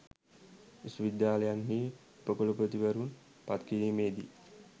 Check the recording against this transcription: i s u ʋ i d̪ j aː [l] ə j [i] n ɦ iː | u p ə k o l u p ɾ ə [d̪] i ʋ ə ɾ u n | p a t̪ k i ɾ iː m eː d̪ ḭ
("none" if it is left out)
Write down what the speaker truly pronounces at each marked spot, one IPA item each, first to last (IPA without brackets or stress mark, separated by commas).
l, a, t̪